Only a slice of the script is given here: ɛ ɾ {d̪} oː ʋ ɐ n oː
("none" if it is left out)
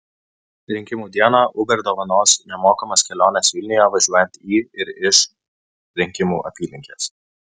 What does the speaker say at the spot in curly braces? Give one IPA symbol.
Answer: d̪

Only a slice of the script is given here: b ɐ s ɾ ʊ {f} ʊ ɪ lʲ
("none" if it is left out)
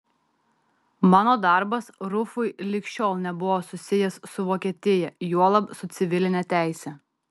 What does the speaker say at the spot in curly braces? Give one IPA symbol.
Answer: f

